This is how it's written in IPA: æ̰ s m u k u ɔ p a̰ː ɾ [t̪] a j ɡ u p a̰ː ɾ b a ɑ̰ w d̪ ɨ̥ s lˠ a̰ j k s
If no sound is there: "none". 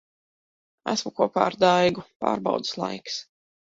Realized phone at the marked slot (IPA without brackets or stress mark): d̪